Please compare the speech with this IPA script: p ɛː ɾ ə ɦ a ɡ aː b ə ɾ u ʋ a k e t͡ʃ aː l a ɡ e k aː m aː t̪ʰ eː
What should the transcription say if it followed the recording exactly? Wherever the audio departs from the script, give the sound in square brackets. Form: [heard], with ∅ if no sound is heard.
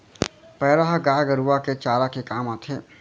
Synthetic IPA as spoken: p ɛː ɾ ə ɦ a ɡ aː [ɡ] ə ɾ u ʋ a k e t͡ʃ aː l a [k] e k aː m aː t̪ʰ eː